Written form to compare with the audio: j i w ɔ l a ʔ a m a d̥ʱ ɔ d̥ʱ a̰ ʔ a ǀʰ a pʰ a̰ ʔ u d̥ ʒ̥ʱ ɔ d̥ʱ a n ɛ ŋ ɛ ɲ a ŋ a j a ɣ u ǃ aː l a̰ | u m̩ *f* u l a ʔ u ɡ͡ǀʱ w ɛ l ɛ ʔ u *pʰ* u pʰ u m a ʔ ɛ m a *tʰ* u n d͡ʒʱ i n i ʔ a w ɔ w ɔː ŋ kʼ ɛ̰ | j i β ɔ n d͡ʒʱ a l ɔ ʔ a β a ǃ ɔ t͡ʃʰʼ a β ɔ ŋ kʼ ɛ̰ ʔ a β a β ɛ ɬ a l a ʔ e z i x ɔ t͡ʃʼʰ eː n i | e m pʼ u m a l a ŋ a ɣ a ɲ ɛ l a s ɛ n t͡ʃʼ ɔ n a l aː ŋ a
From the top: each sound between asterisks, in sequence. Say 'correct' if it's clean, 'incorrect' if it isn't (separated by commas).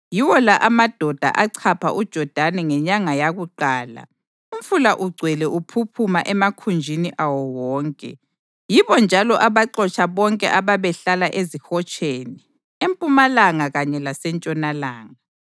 correct, correct, incorrect